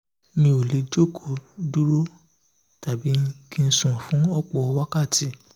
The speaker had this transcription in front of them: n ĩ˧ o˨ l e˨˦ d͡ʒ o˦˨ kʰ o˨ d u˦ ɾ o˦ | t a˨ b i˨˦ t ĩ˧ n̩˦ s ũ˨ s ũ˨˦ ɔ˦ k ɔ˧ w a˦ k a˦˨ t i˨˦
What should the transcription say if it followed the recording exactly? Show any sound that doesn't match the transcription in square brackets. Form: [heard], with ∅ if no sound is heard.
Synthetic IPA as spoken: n ĩ˧ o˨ l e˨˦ d͡ʒ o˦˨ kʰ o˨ d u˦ ɾ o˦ | t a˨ b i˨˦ [k] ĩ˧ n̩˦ s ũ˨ [f] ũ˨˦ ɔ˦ [k͡p] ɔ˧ w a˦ k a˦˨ t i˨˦

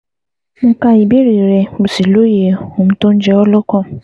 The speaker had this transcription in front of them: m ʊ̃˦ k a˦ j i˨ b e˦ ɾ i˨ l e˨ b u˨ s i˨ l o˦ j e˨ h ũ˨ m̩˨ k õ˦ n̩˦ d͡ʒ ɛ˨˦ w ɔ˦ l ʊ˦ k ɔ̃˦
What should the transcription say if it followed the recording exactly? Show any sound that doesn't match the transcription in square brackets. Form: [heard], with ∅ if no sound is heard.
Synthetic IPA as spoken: m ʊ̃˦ k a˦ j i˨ b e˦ ɾ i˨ [ɾ] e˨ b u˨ s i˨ l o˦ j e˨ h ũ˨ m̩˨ [t] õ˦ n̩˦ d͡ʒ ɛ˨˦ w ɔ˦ l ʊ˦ k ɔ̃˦

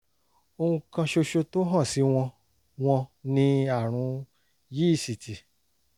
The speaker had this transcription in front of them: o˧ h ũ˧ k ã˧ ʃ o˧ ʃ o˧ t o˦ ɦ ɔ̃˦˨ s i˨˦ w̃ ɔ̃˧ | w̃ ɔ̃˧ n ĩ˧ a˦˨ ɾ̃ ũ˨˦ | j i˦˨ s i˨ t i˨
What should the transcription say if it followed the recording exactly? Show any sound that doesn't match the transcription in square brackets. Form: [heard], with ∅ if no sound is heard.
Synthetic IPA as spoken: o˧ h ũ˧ k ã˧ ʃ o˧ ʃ o˧ t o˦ ɦ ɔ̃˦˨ s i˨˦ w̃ ɔ̃˧ | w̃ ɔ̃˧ n ĩ˧ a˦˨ ɾ̃ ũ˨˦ | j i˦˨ s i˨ t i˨

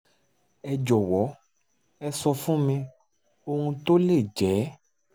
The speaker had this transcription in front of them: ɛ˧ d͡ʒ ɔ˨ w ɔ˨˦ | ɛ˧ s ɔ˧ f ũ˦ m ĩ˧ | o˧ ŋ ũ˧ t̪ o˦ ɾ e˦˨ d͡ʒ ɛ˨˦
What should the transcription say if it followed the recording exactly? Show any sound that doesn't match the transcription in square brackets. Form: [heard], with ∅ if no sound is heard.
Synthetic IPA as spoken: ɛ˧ d͡ʒ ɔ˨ w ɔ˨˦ | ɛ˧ s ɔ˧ f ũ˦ m ĩ˧ | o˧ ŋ ũ˧ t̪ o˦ [l] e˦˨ d͡ʒ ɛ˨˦

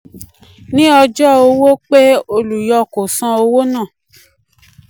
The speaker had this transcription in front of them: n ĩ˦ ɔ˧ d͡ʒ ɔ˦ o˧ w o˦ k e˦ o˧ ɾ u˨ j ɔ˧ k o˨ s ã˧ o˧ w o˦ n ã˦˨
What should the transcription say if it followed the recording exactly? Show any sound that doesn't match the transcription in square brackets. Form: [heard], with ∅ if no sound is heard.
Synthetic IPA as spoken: n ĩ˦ ɔ˧ d͡ʒ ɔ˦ o˧ w o˦ [k͡p] e˦ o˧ [l] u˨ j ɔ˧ k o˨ s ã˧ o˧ w o˦ n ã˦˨

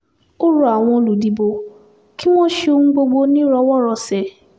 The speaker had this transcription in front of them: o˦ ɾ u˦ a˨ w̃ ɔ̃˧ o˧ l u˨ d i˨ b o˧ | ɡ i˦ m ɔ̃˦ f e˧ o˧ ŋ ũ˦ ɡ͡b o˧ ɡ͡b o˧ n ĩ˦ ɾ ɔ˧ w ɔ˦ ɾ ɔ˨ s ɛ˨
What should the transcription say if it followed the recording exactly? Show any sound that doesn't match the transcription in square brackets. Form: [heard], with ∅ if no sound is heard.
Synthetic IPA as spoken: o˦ ɾ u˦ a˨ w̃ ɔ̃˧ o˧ l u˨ d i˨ b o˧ | [k] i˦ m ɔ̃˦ [ʃ] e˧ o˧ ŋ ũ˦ ɡ͡b o˧ ɡ͡b o˧ n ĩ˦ ɾ ɔ˧ w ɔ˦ ɾ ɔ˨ s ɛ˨

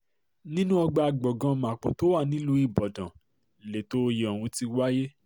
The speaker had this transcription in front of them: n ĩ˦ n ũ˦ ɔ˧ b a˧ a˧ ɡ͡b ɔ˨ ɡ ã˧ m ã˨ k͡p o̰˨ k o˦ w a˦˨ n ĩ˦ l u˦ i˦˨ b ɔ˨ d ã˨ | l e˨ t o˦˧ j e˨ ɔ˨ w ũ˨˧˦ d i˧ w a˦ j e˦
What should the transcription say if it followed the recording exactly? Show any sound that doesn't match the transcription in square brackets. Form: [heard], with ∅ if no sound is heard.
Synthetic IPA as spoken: n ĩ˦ n ũ˦ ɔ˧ [ɡ͡b] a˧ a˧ ɡ͡b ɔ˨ ɡ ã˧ m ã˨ k͡p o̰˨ [t] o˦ w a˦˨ n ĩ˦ l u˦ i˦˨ b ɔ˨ d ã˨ | l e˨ t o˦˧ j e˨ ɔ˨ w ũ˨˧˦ [t] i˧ w a˦ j e˦

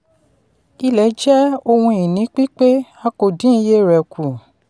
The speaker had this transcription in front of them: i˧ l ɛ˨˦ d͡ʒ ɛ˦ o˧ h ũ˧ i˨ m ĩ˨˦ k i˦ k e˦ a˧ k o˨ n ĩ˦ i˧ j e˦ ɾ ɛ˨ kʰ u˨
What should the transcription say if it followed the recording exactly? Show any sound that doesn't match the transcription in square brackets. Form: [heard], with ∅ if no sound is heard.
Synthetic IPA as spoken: i˧ l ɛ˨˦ d͡ʒ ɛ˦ o˧ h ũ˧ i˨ [n] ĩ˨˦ [k͡p] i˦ [k͡p] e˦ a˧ k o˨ [d] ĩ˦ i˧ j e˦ ɾ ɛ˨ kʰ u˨

